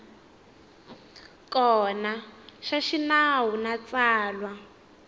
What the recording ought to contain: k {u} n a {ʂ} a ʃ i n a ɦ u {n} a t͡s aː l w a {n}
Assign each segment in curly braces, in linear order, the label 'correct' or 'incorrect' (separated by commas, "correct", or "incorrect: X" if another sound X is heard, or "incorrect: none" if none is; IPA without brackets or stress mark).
incorrect: ɔ, incorrect: ʃ, correct, incorrect: none